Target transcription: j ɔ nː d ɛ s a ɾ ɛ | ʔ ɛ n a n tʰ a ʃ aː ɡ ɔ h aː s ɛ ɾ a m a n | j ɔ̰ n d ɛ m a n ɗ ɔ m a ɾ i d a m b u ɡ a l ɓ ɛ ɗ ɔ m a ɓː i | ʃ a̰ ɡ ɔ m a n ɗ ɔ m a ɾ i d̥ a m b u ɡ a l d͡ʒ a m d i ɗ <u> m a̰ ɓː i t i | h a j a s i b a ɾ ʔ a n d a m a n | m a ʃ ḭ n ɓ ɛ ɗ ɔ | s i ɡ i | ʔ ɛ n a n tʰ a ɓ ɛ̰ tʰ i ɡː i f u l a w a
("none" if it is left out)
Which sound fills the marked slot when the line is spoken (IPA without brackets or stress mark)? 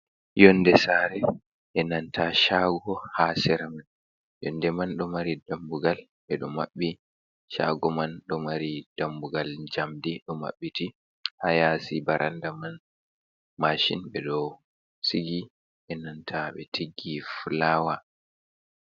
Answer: ɔ